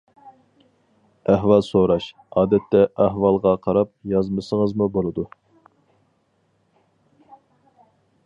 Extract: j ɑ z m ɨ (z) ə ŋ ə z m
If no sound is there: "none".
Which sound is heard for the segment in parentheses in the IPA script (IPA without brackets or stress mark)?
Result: s